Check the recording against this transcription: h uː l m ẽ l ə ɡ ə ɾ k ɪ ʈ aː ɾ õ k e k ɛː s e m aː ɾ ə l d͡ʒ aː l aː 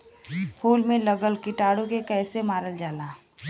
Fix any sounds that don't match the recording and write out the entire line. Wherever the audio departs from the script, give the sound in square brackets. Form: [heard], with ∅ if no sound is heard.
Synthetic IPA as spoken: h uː l m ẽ l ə ɡ ə [l] k ɪ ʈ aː [ɽ] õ k e k ɛː s e m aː ɾ ə l d͡ʒ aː l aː